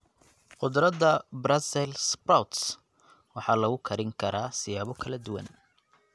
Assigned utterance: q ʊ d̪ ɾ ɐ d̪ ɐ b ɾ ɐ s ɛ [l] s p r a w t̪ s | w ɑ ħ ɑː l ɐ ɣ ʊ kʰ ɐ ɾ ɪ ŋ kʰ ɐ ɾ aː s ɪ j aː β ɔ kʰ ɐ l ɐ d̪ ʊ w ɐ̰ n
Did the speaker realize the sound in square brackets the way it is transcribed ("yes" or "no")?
yes